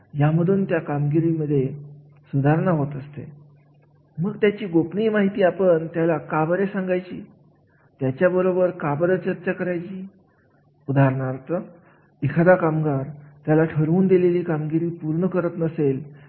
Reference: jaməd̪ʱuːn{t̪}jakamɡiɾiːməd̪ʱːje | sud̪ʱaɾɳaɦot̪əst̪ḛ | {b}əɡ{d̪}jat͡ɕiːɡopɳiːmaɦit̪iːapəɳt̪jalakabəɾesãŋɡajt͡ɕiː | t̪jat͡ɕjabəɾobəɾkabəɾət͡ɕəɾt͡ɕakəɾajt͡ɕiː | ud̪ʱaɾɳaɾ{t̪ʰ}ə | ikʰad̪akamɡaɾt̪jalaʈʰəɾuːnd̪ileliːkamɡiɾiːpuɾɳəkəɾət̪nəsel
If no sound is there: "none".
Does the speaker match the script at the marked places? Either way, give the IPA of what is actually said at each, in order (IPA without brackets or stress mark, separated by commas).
t̪, m, t̪, t̪